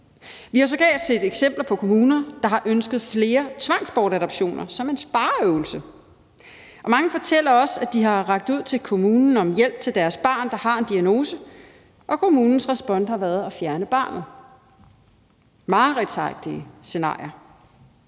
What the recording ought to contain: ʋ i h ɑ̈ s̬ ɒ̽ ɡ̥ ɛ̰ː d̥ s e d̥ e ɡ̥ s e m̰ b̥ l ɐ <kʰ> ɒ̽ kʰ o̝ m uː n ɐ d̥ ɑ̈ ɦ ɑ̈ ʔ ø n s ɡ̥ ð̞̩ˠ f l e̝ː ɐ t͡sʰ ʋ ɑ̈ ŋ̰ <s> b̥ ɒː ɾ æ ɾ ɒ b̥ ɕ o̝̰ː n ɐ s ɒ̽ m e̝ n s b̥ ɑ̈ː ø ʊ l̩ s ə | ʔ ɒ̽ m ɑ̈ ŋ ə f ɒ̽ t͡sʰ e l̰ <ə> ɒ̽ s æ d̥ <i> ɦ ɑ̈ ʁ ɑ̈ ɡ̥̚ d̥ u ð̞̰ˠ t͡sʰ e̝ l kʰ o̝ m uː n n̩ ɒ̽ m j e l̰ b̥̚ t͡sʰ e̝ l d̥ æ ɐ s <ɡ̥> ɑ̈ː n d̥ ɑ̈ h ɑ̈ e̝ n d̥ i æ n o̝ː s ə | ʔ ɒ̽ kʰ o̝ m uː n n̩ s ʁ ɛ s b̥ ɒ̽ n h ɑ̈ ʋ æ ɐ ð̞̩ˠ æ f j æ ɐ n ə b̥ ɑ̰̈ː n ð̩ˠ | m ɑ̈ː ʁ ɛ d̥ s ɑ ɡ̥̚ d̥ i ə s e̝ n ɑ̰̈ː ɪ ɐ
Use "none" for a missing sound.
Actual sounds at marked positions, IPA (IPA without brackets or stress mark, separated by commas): pʰ, s, ɐ, i, b̥